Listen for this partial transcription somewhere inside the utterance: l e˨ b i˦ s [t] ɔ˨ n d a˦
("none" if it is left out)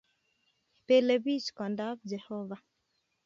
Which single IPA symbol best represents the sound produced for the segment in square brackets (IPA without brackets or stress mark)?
k